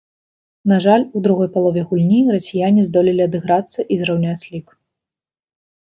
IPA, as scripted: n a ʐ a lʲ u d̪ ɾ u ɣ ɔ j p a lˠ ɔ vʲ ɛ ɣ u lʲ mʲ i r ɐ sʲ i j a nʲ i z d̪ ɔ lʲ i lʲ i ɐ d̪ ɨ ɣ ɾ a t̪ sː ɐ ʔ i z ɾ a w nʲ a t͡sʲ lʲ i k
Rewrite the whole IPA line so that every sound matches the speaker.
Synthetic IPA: n a ʐ a lʲ u d̪ ɾ u ɣ ɔ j p a lˠ ɔ vʲ ɛ ɣ u lʲ nʲ i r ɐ sʲ i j a nʲ i z d̪ ɔ lʲ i lʲ i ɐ d̪ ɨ ɣ ɾ a t̪ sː ɐ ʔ i z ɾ a w nʲ a t͡sʲ lʲ i k